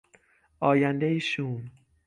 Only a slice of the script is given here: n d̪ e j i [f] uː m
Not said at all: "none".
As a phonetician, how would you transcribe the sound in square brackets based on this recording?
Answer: ʃ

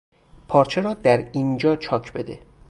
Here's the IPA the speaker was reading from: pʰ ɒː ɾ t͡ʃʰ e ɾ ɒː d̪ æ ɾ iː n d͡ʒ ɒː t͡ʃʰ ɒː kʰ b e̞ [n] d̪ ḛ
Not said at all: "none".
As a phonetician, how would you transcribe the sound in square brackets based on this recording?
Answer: none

